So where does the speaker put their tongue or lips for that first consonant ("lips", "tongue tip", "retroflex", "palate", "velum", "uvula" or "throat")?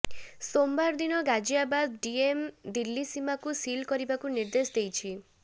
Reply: tongue tip